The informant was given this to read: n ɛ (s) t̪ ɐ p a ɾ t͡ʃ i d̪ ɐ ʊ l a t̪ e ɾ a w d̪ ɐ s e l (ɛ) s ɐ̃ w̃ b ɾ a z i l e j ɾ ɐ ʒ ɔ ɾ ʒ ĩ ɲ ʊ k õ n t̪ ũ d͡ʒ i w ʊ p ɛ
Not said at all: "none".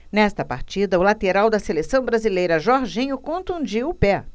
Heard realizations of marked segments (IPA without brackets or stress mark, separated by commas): s, e